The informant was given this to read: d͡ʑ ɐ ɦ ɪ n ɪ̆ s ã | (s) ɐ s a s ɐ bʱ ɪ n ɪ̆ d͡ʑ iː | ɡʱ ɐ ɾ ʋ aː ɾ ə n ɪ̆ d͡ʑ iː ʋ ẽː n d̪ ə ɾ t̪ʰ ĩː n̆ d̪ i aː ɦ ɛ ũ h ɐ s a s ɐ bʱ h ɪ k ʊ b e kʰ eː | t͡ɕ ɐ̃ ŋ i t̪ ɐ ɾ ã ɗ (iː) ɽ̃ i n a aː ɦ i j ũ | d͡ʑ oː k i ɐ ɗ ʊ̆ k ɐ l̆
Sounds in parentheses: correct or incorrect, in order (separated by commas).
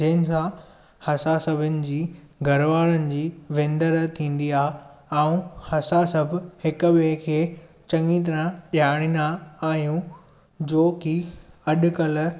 incorrect, incorrect